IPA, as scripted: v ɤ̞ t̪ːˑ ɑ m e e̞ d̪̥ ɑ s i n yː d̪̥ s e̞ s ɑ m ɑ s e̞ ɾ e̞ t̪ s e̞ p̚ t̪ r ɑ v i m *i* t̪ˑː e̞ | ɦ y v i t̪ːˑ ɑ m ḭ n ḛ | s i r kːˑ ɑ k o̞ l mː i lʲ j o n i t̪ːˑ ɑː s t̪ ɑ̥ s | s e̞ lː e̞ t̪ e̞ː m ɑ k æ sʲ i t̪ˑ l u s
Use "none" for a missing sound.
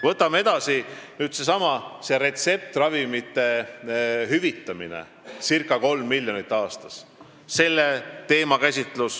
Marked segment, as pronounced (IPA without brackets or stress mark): i